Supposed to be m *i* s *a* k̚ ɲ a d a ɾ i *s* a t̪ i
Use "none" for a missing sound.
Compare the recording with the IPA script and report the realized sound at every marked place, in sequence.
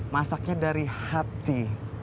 a, a, h

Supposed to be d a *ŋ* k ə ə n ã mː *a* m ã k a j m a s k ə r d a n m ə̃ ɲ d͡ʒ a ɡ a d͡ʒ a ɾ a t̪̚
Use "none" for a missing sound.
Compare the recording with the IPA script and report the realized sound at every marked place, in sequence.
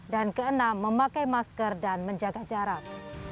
n, ə

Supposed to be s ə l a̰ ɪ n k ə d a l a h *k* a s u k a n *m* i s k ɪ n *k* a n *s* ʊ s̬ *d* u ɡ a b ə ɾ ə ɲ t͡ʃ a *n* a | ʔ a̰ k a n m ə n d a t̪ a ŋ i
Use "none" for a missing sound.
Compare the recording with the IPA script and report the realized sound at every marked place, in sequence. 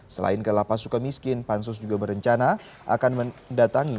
p, m, p, s, d͡ʒ, n

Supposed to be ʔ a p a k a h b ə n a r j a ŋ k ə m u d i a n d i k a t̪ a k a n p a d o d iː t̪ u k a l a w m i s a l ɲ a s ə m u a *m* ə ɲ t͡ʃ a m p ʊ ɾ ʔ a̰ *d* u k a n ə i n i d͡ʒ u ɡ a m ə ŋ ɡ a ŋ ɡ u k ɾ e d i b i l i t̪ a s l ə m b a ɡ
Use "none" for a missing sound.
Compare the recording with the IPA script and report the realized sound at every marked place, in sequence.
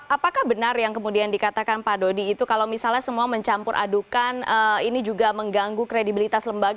m, d

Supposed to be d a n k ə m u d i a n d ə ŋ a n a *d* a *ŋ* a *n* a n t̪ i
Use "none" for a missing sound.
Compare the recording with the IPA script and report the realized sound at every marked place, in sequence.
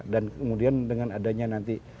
d, ɲ, n

